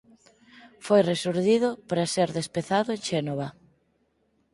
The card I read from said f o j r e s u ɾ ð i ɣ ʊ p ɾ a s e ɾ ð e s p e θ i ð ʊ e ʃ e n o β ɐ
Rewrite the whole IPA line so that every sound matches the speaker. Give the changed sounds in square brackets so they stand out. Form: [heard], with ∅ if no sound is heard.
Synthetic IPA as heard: f o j r e s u ɾ ð i [ð] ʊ p ɾ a s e ɾ ð e s p e θ [a] ð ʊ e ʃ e n o β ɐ